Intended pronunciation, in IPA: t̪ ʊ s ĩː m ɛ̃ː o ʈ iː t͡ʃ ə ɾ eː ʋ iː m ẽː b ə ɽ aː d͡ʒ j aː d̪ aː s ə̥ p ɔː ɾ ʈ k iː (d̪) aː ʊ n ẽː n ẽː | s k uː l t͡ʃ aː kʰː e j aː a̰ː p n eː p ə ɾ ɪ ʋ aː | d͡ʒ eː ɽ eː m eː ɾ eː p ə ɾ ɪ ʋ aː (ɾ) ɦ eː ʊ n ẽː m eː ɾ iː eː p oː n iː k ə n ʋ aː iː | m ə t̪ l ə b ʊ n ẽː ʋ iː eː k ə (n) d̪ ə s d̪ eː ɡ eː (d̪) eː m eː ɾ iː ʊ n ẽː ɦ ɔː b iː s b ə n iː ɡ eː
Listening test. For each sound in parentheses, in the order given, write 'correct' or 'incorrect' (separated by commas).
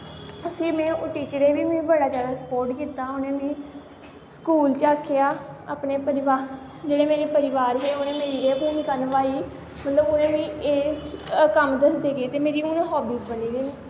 incorrect, correct, incorrect, incorrect